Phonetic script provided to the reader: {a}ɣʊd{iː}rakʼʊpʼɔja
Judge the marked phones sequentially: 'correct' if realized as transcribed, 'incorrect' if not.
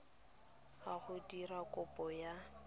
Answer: correct, incorrect: i

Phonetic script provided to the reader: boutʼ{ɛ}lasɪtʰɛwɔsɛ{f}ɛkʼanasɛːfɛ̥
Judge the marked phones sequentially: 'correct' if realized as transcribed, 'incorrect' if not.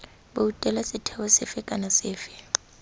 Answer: correct, correct

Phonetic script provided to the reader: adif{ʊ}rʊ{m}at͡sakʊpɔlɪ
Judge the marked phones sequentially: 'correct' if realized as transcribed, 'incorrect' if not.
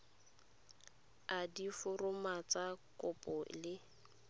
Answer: correct, correct

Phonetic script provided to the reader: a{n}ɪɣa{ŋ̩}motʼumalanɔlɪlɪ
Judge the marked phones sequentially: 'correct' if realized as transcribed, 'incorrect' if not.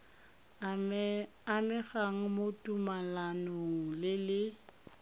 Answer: incorrect: m, correct

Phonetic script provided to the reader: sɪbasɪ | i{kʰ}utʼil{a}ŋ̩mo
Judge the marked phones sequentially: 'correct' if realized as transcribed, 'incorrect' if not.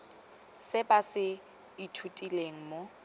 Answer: incorrect: tʰ, incorrect: e

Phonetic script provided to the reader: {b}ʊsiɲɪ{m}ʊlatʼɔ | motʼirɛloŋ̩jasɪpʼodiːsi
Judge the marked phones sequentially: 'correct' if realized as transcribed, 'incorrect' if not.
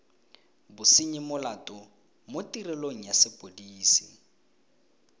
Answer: correct, correct

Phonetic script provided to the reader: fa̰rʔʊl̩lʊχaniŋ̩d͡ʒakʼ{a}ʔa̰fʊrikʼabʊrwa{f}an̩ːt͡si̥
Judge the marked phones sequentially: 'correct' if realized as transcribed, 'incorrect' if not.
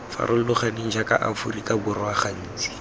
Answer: correct, incorrect: χ

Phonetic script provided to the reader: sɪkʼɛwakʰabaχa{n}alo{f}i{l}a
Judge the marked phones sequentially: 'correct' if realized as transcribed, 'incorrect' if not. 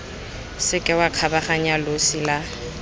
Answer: incorrect: ɲ, incorrect: s, correct

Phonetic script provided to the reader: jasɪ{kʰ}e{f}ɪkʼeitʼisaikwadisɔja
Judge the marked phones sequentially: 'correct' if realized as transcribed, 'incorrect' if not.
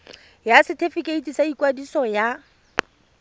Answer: incorrect: tʰ, correct

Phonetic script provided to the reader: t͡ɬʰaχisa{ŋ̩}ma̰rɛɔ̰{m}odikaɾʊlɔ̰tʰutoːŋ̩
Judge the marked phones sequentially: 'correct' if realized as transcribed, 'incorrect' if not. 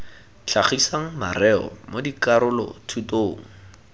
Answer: correct, correct

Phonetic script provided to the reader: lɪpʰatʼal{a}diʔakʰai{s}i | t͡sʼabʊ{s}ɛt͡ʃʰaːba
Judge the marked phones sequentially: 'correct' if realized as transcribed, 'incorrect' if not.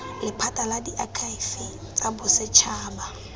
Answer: correct, incorrect: f, correct

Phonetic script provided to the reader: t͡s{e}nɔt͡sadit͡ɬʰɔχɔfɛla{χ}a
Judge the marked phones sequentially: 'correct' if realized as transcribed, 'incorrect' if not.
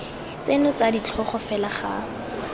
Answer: correct, correct

